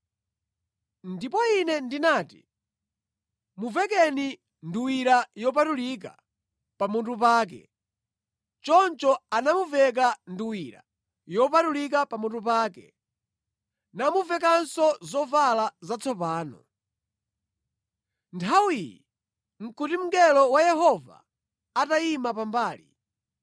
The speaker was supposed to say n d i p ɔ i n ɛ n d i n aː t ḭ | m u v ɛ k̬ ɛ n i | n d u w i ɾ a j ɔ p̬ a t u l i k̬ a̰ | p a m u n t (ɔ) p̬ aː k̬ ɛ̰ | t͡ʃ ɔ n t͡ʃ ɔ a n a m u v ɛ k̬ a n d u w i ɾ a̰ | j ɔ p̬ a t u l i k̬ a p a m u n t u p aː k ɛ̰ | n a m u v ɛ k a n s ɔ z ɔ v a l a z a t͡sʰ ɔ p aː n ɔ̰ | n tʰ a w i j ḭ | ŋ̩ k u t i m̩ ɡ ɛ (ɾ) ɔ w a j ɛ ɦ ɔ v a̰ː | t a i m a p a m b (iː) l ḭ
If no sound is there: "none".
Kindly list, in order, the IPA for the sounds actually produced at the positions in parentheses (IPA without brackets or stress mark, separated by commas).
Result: u, l, aː